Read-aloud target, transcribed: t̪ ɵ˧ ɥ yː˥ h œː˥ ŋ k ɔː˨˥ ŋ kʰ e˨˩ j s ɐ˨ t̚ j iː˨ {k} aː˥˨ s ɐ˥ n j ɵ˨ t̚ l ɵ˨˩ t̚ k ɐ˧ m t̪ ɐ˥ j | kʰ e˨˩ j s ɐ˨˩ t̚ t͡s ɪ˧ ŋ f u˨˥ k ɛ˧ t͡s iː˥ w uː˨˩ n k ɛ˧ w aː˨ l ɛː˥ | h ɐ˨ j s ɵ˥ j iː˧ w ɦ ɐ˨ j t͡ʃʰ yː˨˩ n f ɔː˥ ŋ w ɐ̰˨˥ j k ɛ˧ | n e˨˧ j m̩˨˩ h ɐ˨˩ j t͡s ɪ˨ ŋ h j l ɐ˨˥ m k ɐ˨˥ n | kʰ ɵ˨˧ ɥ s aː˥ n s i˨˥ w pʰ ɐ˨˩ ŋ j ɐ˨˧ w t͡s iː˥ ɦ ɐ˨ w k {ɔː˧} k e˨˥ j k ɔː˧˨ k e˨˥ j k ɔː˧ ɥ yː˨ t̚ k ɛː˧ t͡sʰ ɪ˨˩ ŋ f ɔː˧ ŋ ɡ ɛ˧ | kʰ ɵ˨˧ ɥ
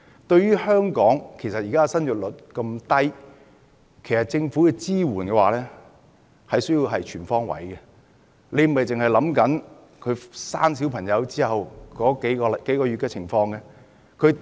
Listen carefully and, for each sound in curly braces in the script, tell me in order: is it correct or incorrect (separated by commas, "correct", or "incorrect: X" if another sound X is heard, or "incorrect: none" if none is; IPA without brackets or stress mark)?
correct, incorrect: ɔː˨˥